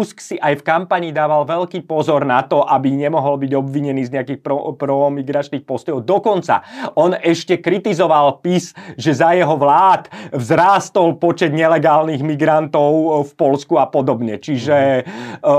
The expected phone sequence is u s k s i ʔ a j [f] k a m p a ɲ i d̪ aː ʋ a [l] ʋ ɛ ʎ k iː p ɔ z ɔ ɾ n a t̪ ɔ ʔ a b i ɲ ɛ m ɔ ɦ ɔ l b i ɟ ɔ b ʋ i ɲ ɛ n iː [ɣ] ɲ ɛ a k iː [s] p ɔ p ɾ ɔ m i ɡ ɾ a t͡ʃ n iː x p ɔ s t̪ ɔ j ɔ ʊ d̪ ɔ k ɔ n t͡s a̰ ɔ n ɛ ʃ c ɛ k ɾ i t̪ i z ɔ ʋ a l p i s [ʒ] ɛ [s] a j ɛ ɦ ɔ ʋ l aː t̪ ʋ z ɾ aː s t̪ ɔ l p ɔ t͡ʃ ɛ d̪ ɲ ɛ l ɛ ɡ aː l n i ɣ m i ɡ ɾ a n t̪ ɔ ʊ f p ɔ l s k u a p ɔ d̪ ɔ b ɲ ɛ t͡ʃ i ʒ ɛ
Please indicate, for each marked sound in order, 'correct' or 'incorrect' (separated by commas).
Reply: correct, correct, incorrect, incorrect, correct, incorrect